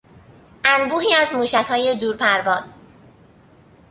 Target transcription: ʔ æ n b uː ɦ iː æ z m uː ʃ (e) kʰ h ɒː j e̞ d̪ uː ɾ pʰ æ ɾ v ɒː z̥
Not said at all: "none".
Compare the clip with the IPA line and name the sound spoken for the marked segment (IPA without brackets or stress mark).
æ